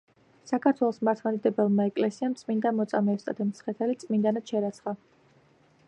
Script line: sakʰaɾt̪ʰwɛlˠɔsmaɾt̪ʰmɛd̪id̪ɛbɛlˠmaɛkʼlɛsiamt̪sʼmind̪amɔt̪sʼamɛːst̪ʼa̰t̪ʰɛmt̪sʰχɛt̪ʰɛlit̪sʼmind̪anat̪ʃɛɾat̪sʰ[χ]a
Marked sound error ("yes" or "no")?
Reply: no